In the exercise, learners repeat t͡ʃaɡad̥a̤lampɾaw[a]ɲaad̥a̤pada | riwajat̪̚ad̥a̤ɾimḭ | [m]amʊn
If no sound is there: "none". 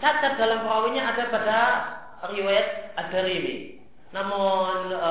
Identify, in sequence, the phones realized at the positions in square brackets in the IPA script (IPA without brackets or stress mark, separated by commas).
i, n